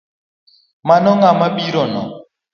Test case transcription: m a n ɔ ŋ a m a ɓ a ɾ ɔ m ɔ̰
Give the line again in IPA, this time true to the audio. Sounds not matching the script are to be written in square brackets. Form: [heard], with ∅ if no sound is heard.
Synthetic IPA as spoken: m a n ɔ ŋ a m a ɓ [i] ɾ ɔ [n] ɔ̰